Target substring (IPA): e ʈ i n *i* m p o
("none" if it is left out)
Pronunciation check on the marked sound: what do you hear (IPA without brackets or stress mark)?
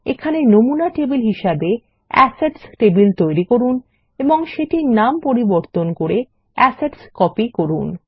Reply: a